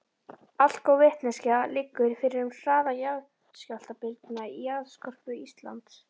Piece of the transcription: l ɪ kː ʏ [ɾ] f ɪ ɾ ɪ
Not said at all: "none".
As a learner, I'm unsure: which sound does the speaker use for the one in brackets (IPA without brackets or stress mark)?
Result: ɾ